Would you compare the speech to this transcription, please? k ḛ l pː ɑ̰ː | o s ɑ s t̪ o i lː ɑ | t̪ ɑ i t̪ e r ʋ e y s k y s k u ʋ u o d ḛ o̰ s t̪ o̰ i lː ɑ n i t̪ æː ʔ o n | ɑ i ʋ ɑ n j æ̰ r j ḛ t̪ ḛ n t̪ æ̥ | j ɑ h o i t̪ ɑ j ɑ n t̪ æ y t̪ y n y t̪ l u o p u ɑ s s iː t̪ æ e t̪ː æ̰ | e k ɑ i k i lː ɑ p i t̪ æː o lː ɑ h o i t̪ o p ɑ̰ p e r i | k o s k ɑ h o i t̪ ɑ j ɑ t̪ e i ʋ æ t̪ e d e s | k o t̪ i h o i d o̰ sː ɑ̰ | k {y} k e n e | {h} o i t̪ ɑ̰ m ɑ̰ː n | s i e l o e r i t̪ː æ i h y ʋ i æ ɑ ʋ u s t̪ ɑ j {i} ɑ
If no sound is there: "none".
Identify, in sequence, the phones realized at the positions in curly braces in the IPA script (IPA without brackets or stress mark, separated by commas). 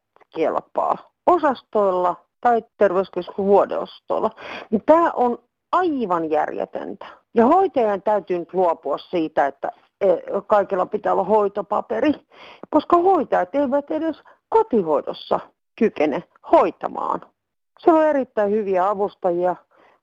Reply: y, h, i